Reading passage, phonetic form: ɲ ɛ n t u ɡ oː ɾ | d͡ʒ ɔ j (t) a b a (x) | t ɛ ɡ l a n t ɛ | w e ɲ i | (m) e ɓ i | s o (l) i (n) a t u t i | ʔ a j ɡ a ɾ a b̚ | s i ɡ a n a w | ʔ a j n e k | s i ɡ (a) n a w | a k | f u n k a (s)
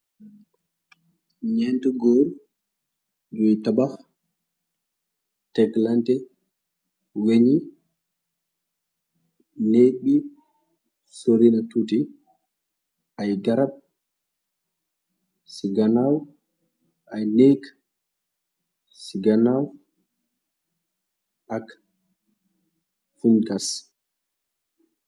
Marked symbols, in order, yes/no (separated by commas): yes, no, no, no, yes, yes, yes